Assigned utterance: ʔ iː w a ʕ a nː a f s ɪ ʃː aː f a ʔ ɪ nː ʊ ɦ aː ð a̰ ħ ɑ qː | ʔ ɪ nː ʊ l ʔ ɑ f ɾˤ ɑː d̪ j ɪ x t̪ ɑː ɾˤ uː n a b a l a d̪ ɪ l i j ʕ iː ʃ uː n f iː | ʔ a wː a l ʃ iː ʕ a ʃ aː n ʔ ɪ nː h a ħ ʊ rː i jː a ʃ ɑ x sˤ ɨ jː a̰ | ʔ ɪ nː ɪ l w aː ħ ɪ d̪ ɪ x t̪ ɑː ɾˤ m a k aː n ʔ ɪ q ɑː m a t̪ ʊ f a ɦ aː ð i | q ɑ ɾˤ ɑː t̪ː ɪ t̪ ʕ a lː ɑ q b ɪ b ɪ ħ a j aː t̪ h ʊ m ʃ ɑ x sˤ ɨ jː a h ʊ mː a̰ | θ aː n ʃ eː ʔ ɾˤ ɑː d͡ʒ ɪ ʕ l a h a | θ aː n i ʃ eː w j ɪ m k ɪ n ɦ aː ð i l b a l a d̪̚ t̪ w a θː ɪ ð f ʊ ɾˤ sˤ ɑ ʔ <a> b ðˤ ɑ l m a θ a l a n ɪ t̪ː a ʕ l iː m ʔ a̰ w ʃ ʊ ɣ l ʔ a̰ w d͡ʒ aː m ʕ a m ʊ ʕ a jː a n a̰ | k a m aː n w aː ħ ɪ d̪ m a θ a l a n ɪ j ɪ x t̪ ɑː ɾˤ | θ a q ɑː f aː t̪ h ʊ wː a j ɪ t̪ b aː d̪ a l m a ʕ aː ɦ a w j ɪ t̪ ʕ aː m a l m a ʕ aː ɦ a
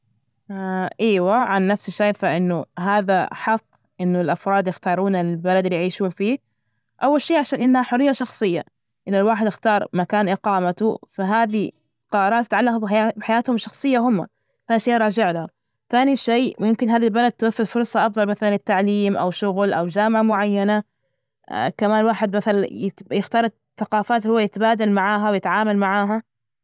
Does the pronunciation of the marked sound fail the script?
yes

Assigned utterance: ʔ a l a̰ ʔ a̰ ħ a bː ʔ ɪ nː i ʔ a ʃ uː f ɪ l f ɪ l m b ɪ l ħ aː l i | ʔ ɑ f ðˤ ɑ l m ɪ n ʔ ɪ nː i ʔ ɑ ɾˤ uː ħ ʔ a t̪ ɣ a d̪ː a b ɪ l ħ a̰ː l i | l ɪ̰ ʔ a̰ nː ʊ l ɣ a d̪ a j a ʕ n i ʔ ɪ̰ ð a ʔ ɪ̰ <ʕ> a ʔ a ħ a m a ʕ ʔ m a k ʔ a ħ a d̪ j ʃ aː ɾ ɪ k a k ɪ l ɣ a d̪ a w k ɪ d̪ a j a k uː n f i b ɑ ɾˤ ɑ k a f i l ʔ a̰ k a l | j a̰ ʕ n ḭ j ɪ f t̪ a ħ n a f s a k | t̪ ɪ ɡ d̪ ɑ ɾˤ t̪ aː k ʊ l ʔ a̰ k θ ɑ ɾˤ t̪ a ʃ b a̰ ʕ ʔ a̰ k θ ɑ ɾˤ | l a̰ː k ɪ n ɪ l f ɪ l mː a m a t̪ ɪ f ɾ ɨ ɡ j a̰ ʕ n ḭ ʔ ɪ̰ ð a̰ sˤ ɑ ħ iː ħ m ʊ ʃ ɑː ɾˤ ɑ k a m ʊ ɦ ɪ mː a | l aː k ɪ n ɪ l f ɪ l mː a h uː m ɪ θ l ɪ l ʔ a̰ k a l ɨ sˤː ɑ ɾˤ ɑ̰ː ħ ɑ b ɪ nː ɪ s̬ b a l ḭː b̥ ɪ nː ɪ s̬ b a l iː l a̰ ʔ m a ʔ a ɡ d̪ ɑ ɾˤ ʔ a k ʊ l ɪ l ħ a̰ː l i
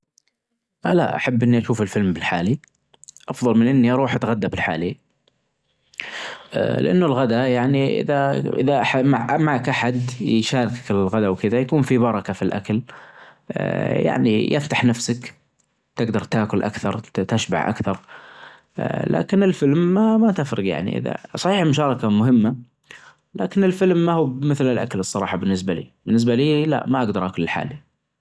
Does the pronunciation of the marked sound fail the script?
yes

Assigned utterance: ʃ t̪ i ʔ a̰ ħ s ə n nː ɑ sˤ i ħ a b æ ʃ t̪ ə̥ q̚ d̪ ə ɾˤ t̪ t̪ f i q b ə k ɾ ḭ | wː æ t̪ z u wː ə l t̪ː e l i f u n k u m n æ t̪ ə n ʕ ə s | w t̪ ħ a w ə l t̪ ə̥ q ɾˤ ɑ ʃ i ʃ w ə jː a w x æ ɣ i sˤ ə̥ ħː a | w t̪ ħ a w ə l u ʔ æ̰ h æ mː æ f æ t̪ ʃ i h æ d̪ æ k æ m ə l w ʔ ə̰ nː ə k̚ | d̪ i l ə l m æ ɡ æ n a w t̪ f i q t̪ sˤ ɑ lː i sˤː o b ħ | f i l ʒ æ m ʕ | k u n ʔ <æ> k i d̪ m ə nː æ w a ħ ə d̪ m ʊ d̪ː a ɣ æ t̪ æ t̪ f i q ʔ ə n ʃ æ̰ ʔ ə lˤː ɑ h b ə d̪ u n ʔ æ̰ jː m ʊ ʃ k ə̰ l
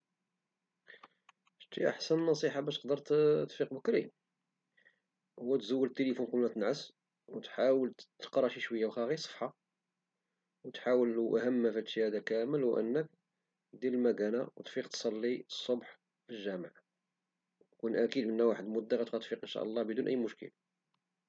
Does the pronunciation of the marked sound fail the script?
no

